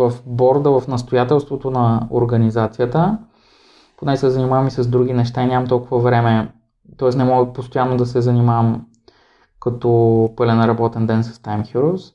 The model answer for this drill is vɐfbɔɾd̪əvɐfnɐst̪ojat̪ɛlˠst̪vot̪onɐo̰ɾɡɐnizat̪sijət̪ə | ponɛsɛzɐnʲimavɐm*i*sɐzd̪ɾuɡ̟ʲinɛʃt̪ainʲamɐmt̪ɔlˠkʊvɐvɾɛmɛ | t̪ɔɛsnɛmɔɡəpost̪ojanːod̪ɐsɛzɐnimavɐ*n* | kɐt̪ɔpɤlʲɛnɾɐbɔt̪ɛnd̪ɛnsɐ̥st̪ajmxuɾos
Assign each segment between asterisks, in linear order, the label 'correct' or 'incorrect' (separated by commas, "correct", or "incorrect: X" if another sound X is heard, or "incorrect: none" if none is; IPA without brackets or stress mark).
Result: correct, incorrect: m